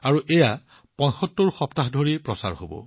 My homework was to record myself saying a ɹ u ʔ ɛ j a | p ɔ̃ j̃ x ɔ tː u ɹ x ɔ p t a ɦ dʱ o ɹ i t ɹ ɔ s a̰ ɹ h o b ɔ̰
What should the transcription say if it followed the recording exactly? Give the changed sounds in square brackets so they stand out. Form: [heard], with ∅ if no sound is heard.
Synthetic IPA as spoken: a ɹ u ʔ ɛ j a | p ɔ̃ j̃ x ɔ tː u ɹ x ɔ p t a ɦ dʱ o ɹ i [p] ɹ ɔ s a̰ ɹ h o b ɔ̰